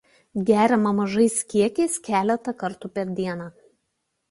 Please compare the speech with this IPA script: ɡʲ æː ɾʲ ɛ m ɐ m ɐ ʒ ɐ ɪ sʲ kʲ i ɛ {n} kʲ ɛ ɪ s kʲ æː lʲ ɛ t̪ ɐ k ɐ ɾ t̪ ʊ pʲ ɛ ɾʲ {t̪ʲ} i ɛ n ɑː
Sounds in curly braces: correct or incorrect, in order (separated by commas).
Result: incorrect, incorrect